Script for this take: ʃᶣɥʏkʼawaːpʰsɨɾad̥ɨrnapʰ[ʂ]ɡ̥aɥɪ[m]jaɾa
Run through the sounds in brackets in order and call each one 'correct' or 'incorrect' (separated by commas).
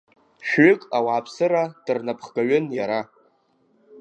incorrect, incorrect